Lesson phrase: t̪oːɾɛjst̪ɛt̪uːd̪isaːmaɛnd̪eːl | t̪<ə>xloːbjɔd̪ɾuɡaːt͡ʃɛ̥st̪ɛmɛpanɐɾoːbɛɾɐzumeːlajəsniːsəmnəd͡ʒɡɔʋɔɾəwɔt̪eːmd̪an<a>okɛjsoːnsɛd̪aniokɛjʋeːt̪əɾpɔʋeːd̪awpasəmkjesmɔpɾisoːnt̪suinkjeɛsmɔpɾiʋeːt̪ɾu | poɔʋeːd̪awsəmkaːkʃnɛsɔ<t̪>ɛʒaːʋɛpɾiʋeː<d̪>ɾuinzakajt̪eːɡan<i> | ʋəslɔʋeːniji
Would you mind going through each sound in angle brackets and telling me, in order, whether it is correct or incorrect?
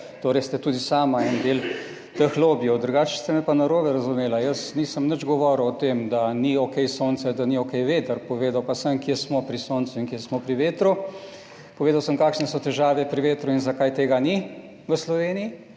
correct, incorrect: i, correct, incorrect: t̪, correct

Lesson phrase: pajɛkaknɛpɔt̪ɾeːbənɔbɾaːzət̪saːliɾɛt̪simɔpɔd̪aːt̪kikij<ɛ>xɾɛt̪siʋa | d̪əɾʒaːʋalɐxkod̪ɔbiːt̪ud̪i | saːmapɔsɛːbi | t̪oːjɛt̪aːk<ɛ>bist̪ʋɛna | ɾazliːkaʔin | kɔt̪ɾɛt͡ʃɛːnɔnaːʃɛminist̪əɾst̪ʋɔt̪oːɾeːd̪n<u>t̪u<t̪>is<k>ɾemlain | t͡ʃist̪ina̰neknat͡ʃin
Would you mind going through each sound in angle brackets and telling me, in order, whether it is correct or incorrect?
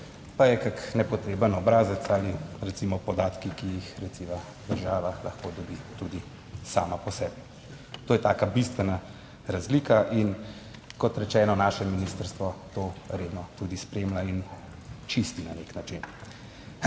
incorrect: i, incorrect: a, incorrect: ɔ, incorrect: d̪, incorrect: p

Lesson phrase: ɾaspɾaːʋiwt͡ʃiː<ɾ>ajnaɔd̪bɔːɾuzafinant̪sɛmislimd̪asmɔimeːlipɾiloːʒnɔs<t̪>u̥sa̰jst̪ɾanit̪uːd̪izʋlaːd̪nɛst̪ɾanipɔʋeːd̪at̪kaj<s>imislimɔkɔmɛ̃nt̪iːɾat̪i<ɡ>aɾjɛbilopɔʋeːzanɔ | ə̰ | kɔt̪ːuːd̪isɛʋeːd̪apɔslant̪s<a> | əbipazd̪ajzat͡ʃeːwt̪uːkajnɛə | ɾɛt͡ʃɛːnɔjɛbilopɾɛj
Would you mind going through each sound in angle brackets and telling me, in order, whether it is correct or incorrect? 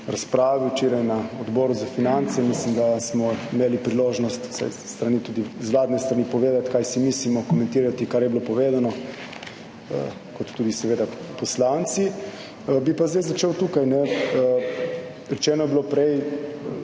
correct, correct, correct, incorrect: k, incorrect: i

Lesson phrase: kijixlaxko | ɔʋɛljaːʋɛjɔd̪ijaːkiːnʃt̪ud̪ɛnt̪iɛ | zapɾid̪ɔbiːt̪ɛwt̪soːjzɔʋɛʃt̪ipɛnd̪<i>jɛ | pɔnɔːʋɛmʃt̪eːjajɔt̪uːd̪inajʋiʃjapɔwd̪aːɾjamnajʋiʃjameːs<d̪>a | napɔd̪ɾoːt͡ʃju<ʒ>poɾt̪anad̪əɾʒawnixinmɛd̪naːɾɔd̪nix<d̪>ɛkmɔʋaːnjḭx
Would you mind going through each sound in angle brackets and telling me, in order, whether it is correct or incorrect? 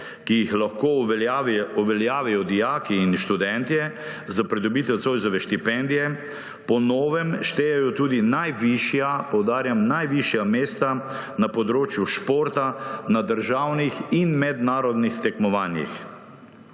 correct, incorrect: t̪, incorrect: ʃ, incorrect: t̪

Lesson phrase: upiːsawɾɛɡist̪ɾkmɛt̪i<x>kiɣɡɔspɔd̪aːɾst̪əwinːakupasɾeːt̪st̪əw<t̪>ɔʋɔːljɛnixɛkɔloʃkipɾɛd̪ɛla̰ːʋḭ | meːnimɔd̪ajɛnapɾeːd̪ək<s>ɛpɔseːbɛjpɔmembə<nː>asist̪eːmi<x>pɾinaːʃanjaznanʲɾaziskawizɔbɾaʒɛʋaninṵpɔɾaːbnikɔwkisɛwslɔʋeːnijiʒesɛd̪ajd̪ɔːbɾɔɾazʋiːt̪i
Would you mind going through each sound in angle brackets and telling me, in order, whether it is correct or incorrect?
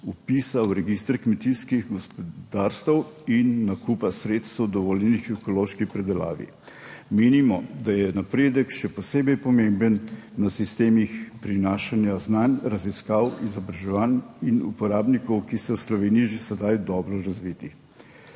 incorrect: s, incorrect: d̪, incorrect: ʃ, correct, correct

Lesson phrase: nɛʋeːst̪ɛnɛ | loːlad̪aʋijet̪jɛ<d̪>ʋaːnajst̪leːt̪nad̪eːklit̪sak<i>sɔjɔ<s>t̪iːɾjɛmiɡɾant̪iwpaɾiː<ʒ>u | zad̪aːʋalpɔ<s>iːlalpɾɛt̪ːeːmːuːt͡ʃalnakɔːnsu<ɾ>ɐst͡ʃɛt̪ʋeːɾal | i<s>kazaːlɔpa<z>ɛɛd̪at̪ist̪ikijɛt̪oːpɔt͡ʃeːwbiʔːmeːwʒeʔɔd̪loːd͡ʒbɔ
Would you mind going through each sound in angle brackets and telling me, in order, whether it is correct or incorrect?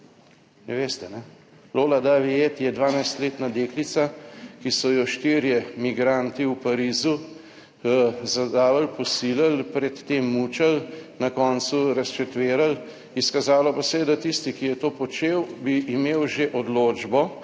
correct, correct, incorrect: ʃ, incorrect: z, correct, correct, correct, incorrect: s

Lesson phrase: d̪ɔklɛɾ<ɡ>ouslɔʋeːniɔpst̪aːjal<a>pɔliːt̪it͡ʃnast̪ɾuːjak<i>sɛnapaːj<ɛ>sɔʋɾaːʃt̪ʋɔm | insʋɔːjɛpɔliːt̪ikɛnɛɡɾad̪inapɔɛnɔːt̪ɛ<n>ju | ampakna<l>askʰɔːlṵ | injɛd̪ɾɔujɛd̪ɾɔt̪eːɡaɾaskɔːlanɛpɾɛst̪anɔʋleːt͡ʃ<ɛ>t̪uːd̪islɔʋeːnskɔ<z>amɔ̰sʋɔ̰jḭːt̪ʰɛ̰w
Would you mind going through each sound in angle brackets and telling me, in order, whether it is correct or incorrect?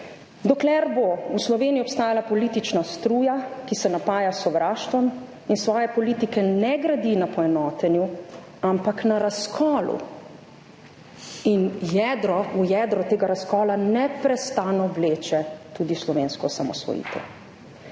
incorrect: b, correct, correct, incorrect: a, correct, incorrect: ɾ, correct, incorrect: s

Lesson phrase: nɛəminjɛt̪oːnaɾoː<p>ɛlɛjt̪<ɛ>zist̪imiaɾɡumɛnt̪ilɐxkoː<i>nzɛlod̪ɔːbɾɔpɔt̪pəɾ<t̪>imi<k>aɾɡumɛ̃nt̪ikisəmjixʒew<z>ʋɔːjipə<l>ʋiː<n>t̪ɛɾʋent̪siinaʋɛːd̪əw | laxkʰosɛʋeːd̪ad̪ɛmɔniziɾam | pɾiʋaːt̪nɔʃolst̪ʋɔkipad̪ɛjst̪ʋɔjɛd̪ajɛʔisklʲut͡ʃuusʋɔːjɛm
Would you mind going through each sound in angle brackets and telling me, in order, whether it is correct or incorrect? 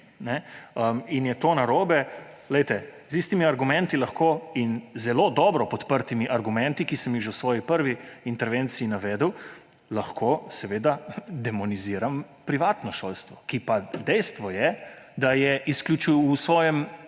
incorrect: b, correct, correct, correct, incorrect: ʔ, incorrect: s, incorrect: ɾ, correct

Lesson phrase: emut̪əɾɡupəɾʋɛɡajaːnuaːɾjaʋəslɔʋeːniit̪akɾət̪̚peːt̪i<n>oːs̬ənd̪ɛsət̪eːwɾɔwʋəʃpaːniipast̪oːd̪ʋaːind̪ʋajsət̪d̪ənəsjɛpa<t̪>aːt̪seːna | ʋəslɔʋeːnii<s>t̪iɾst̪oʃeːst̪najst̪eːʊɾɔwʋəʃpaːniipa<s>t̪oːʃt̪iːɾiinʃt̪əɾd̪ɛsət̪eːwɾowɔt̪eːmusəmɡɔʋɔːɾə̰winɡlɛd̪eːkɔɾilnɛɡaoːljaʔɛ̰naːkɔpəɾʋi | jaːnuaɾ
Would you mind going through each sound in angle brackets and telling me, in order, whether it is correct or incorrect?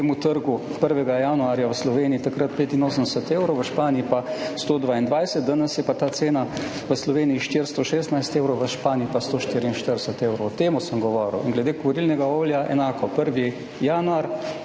correct, correct, incorrect: ʃ, correct

